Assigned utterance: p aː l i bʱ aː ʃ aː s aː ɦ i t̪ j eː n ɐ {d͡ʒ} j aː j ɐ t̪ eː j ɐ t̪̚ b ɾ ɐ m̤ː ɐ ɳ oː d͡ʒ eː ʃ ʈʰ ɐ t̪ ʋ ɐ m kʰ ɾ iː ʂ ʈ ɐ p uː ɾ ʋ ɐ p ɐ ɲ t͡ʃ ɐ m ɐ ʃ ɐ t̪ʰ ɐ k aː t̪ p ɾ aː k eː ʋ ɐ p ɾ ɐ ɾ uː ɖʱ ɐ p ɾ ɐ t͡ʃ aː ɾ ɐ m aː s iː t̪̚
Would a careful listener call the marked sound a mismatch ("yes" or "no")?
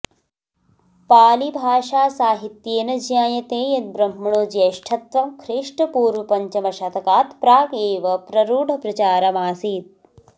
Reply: no